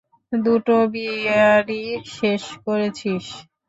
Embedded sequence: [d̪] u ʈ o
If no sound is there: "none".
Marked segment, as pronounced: d̪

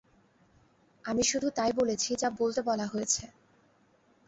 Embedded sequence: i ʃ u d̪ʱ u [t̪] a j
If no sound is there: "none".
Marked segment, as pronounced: t̪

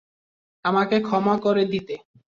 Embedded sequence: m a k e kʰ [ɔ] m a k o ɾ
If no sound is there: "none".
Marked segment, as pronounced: ɔ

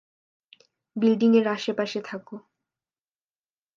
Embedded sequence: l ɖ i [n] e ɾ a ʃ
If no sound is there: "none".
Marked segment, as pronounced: ŋ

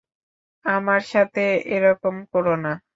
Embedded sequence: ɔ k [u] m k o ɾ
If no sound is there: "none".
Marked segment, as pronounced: o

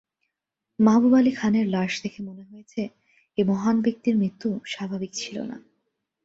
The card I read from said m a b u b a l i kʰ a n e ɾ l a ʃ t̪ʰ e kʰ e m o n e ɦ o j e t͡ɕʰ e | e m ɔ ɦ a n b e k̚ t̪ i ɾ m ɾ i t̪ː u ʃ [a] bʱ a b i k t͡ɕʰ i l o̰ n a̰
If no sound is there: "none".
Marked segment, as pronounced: a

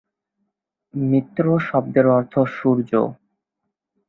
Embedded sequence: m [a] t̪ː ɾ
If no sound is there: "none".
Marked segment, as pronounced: i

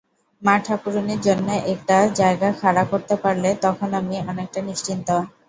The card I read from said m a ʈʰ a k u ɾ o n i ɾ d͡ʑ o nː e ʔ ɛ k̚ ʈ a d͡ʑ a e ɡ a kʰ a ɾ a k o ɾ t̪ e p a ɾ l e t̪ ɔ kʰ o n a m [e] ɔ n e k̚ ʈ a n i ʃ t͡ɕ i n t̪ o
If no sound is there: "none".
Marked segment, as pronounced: i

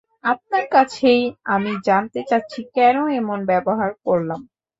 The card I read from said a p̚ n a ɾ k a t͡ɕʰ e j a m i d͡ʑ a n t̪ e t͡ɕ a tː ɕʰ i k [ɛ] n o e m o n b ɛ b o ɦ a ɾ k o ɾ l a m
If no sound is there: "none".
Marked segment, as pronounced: ɛ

